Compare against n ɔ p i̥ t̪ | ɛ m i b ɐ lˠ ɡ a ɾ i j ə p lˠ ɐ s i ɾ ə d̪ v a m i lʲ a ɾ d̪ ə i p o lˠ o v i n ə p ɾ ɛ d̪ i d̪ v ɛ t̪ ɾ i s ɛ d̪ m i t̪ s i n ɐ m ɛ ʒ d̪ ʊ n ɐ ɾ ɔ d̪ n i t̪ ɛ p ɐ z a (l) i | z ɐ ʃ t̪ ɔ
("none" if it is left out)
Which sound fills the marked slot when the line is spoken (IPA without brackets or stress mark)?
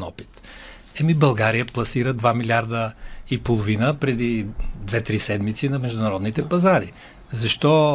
ɾ